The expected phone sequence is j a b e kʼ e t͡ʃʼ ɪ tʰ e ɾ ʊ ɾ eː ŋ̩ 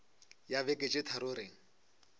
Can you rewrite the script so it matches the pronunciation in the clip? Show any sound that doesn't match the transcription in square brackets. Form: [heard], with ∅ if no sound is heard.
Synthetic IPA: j a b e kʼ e t͡ʃʼ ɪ tʰ [a] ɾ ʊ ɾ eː ŋ̩